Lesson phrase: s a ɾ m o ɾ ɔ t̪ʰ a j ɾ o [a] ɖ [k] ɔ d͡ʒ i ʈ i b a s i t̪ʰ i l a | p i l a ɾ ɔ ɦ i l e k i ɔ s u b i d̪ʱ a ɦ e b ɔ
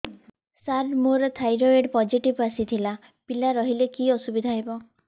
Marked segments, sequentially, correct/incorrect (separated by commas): incorrect, incorrect